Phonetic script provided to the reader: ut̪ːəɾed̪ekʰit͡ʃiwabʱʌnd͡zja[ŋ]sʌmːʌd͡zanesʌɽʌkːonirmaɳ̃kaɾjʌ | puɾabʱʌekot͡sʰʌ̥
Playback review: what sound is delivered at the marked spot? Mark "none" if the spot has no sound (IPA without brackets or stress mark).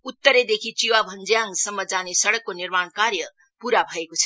ŋ